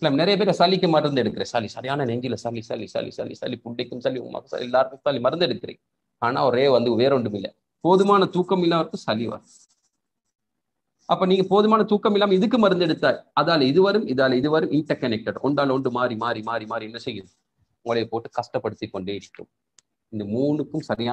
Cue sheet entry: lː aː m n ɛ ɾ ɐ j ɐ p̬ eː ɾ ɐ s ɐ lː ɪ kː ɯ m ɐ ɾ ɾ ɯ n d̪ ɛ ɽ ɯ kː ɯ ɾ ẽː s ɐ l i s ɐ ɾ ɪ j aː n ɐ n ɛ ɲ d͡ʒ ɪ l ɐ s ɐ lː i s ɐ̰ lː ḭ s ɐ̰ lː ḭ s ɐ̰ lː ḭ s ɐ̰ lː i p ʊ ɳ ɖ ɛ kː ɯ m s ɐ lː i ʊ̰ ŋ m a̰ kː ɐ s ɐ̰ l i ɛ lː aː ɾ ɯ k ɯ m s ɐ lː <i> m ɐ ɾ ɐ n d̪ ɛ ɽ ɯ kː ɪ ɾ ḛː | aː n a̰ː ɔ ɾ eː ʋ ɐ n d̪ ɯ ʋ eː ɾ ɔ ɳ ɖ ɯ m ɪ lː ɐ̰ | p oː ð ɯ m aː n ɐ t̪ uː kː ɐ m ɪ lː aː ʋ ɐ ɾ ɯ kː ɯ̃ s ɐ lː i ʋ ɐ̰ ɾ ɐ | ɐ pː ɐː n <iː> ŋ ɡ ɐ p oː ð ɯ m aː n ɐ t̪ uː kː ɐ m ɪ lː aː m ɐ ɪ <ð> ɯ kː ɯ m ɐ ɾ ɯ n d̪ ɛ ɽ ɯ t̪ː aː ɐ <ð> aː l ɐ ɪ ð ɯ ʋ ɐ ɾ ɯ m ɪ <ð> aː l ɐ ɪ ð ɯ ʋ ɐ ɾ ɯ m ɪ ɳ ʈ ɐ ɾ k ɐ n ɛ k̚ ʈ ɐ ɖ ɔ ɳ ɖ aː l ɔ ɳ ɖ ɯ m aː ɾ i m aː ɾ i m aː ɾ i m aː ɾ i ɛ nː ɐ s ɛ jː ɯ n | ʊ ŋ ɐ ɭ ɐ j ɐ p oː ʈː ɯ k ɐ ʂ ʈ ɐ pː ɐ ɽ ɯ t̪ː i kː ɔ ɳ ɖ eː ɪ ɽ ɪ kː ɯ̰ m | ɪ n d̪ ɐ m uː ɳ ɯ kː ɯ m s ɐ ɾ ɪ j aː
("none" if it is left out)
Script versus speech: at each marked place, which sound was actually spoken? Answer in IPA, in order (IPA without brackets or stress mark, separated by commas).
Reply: i, iː, ð, ð, ð